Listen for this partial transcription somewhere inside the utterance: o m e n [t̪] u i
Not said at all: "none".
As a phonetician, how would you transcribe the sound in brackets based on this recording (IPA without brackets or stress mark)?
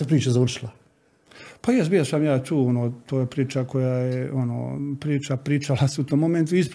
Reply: t̪